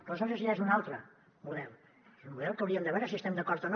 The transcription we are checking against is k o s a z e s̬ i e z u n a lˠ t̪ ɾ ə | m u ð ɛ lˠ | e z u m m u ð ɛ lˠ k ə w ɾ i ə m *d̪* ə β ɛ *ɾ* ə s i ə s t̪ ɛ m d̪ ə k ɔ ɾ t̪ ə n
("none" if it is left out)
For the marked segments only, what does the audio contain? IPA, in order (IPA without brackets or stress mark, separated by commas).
d̪, ɾ